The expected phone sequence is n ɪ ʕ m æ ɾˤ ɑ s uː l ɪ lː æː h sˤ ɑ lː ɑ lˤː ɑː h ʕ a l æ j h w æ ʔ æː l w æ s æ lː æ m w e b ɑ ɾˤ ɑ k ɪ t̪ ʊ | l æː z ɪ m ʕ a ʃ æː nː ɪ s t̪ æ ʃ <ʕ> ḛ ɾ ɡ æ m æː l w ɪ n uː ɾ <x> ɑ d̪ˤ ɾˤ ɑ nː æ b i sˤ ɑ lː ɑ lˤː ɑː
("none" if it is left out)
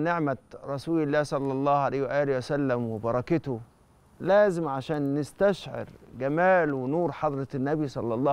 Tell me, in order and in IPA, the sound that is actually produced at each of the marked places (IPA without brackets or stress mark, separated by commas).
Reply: ʕ, ħ